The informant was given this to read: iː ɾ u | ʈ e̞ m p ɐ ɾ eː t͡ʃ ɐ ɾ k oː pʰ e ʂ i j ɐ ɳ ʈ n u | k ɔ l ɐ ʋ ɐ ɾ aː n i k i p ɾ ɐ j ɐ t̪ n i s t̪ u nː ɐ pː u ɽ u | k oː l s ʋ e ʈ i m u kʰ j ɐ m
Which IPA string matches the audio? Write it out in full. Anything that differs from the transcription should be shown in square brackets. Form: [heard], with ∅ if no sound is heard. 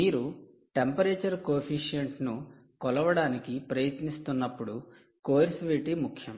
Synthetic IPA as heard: iː ɾ u | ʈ e̞ m p ɐ ɾ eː t͡ʃ ɐ ɾ k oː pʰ [i] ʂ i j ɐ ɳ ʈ n u | k ɔ l ɐ ʋ ɐ [ɽ] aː n i k i p ɾ ɐ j ɐ t̪ n i s t̪ u nː ɐ pː u ɽ u | k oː [ɾ] s ʋ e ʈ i m u kʰ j ɐ m